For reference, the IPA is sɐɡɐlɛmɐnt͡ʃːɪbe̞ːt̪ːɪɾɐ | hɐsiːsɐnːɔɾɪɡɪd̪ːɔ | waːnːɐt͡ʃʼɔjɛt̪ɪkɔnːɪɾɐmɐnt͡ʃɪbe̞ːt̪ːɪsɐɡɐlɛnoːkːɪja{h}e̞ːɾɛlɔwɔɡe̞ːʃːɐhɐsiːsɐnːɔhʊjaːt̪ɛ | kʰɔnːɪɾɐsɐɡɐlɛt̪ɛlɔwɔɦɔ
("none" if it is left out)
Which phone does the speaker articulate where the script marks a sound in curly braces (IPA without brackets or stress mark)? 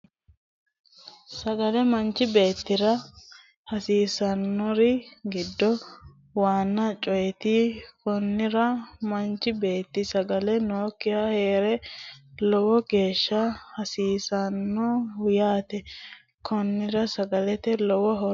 h